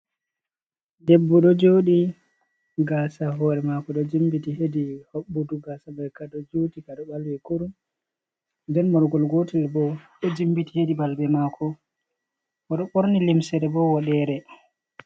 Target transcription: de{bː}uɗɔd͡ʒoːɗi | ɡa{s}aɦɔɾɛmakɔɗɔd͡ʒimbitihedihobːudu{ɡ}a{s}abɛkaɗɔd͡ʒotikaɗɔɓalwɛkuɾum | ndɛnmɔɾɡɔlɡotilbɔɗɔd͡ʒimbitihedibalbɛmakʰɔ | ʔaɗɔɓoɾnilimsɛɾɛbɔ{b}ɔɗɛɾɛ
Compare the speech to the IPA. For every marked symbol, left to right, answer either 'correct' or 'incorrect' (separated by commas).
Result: correct, correct, correct, correct, incorrect